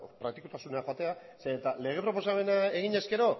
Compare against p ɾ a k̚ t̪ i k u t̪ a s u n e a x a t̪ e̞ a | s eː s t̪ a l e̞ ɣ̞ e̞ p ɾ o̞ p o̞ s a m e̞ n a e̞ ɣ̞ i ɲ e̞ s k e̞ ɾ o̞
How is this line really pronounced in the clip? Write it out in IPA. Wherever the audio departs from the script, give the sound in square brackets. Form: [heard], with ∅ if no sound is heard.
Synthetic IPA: p ɾ a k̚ t̪ i k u t̪ a s u n e a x a t̪ e̞ a | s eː [∅] t̪ a l e̞ ɣ̞ e̞ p ɾ o̞ p o̞ s a m e̞ n a e̞ ɣ̞ i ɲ e̞ s k e̞ ɾ o̞